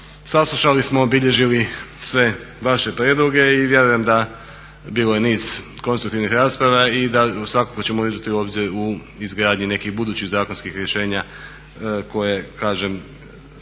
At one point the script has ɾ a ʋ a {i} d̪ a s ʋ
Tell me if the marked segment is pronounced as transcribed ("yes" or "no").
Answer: yes